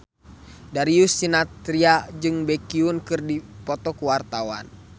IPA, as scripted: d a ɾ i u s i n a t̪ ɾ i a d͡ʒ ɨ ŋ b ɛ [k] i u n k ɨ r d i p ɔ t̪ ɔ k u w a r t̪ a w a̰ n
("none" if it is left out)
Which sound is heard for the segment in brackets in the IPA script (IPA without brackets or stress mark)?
k